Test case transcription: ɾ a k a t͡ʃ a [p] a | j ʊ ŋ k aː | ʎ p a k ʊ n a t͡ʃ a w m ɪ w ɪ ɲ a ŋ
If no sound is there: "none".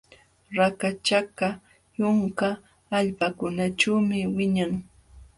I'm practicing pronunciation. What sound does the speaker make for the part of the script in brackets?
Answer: k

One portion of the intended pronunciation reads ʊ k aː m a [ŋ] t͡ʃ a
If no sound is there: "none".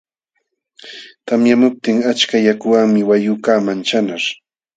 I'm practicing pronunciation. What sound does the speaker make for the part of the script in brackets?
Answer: n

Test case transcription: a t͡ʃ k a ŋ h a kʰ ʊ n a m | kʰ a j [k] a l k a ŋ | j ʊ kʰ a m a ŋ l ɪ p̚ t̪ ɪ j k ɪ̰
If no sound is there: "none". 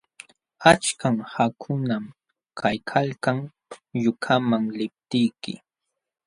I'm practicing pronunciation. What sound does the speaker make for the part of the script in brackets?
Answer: kʰ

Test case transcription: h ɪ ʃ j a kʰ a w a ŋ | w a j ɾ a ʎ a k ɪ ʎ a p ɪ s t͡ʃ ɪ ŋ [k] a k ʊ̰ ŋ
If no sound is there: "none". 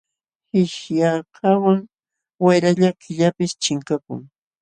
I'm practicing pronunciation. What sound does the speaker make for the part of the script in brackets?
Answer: k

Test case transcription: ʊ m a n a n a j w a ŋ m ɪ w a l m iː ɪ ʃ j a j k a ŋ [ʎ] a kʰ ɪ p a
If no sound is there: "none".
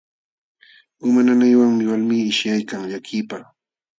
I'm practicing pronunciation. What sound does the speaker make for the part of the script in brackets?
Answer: ʎ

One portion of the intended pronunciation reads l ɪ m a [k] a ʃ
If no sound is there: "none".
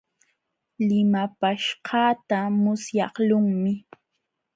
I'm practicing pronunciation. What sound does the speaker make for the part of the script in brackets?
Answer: p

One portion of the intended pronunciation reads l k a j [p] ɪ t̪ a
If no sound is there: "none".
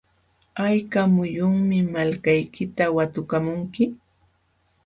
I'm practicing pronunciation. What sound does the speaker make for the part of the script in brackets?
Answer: k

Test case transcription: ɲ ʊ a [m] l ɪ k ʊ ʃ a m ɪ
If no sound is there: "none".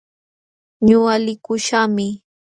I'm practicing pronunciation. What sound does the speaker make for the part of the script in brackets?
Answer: none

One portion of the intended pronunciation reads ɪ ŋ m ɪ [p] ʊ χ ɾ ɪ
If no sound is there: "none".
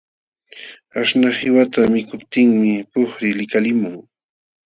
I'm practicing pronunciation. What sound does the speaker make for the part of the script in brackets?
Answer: p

